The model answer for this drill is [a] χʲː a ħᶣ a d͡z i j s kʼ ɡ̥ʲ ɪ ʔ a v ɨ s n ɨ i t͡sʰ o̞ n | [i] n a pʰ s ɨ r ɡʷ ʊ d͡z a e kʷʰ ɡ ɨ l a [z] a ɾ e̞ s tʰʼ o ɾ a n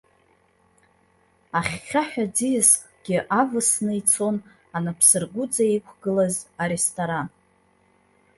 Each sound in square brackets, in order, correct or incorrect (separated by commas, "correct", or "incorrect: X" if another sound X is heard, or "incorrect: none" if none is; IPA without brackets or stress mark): correct, incorrect: a, correct